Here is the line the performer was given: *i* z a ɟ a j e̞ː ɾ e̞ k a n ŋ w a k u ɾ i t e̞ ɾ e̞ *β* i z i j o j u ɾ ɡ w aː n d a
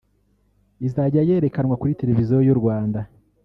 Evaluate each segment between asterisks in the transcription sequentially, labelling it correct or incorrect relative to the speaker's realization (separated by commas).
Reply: correct, incorrect